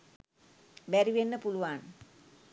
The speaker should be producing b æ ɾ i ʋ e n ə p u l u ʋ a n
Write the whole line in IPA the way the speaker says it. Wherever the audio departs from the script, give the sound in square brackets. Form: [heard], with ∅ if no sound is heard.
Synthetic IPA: b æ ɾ i ʋ e [nː] ə p u l u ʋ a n